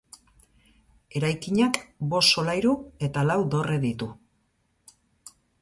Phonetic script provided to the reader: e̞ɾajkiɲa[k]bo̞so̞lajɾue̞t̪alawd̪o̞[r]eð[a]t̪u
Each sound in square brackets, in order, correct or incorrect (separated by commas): correct, correct, incorrect